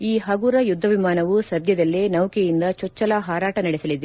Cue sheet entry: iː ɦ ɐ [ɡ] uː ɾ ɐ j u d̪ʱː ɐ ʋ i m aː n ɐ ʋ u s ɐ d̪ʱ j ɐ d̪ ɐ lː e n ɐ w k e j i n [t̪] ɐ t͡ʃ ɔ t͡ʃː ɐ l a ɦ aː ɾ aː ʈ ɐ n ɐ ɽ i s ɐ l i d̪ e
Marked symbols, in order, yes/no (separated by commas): yes, no